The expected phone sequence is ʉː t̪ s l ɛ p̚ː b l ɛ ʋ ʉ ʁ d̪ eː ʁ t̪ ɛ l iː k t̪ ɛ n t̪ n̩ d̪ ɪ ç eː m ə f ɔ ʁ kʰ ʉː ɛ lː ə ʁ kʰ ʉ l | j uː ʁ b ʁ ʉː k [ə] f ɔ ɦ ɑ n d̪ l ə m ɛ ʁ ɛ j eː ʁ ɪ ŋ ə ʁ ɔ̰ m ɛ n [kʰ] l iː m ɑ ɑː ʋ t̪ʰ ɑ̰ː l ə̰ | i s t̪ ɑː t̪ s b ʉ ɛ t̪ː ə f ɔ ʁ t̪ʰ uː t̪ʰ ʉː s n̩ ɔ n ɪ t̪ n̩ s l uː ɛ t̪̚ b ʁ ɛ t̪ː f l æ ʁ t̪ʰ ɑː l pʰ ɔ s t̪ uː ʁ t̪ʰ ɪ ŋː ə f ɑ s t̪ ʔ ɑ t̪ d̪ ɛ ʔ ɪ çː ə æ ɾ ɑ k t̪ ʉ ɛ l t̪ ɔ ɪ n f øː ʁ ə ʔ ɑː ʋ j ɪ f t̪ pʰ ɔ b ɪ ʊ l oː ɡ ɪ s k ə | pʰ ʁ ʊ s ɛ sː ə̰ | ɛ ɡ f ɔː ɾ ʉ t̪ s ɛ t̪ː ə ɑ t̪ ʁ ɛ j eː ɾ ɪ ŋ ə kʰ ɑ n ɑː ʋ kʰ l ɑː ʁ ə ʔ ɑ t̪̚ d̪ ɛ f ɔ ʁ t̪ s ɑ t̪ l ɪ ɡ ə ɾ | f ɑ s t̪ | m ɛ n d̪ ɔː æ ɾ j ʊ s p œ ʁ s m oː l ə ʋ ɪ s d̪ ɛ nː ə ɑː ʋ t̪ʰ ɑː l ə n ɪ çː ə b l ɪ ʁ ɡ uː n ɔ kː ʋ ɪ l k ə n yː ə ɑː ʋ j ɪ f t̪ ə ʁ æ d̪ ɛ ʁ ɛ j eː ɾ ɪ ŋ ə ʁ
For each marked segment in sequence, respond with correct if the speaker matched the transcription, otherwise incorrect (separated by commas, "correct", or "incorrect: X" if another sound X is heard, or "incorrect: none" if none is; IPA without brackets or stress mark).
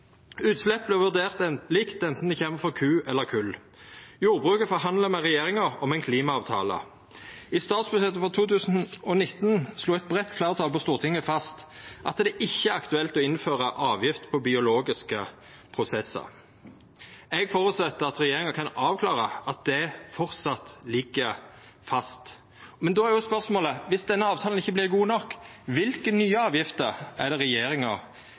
correct, correct